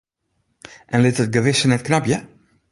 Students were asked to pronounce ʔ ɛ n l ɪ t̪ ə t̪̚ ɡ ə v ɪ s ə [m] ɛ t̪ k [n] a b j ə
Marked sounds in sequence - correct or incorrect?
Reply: incorrect, correct

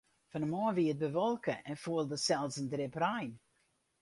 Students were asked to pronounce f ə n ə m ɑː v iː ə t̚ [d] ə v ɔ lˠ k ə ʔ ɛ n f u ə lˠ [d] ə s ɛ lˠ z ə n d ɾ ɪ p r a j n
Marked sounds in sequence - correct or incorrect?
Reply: incorrect, correct

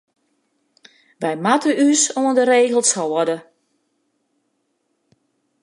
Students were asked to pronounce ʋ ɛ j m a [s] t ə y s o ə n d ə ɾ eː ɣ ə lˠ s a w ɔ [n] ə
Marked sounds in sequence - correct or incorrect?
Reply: incorrect, incorrect

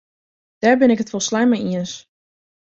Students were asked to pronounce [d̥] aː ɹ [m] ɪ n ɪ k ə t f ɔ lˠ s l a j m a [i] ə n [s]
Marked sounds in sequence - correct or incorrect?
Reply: correct, incorrect, correct, correct

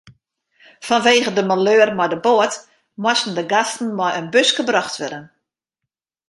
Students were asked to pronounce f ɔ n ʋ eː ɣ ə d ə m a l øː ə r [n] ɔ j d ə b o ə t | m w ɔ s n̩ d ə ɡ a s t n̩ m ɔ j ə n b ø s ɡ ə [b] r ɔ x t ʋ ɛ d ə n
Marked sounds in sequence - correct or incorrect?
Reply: incorrect, correct

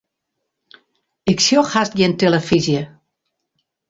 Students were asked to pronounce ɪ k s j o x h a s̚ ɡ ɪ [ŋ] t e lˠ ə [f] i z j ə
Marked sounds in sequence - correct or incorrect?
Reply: incorrect, correct

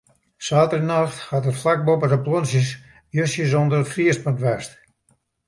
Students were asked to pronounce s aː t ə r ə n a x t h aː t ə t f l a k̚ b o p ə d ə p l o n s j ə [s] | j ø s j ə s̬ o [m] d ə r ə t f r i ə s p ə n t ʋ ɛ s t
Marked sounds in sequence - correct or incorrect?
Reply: correct, incorrect

